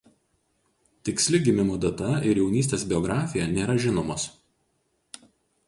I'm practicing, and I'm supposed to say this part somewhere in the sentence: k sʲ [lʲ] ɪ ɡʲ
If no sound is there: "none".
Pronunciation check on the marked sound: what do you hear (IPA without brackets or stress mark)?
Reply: lʲ